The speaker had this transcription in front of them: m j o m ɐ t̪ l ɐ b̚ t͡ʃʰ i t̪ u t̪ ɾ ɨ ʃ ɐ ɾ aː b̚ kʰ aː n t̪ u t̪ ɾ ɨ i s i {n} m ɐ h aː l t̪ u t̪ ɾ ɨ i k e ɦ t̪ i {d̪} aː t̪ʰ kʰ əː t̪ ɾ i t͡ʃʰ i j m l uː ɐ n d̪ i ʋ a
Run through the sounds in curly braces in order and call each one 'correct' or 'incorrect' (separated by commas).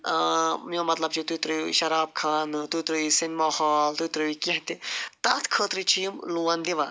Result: correct, incorrect